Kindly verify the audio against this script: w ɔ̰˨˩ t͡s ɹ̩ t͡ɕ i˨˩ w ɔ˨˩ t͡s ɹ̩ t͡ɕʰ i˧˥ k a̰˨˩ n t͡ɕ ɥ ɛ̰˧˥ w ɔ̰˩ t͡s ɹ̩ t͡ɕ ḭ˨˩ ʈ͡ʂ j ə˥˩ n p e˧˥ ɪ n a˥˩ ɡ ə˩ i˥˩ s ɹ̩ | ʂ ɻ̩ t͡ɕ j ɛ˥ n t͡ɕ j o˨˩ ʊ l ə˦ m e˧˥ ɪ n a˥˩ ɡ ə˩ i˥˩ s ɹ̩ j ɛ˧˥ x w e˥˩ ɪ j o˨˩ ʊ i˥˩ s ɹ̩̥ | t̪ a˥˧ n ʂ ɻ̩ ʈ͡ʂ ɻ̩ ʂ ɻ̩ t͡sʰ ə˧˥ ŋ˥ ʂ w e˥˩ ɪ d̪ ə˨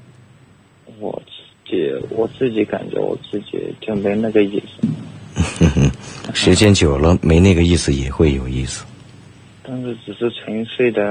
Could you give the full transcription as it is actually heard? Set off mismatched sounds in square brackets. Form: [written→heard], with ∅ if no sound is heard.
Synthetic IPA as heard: w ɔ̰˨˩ t͡s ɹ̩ t͡ɕ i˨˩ w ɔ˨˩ t͡s ɹ̩ [t͡ɕʰ→t͡ɕ] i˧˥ k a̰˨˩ n t͡ɕ ɥ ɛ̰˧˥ w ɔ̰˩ t͡s ɹ̩ t͡ɕ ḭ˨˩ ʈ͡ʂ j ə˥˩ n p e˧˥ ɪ n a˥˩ ɡ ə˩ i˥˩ s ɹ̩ | ʂ ɻ̩ t͡ɕ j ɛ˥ n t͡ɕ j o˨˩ ʊ l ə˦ m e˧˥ ɪ n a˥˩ ɡ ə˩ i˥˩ s ɹ̩ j [ɛ˧˥→ɛ˨˩] x w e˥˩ ɪ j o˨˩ ʊ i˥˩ s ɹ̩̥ | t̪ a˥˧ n ʂ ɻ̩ ʈ͡ʂ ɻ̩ ʂ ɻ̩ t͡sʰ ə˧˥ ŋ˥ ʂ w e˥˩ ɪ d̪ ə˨